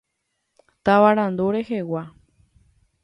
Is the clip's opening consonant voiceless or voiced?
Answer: voiceless